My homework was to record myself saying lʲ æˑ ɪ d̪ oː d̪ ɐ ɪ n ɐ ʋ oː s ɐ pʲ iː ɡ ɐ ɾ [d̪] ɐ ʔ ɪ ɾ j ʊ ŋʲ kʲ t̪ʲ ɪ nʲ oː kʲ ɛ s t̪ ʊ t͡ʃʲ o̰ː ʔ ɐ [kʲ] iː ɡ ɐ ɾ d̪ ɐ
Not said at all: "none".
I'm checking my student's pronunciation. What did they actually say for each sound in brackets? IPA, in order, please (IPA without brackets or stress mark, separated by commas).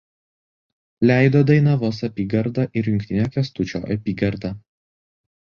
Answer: d̪, pʲ